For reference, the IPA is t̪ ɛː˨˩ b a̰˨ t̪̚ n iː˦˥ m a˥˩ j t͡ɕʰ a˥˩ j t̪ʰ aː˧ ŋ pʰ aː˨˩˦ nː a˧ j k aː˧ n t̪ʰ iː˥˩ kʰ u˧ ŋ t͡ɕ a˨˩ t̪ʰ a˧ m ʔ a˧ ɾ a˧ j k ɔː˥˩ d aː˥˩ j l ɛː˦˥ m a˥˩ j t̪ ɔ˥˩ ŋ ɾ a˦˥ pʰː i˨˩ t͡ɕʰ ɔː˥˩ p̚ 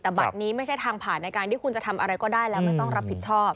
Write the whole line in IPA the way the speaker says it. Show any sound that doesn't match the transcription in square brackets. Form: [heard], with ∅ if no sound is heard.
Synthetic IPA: t̪ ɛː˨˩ b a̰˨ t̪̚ n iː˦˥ m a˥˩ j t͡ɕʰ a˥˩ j t̪ʰ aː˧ ŋ pʰ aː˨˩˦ nː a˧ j k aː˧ n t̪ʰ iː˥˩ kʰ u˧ [n] t͡ɕ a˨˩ t̪ʰ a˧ m ʔ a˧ ɾ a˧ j k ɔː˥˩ d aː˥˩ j l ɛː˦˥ m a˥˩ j t̪ ɔ˥˩ ŋ ɾ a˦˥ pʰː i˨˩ t͡ɕʰ ɔː˥˩ p̚